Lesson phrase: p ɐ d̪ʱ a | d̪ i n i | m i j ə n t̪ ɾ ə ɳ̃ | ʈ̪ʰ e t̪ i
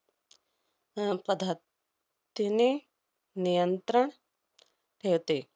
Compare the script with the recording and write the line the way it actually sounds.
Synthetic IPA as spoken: p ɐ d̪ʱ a | t̪ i n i | n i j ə n t̪ ɾ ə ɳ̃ | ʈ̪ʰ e t̪ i